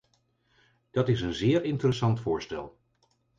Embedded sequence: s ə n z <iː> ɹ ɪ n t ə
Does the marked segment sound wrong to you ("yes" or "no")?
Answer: yes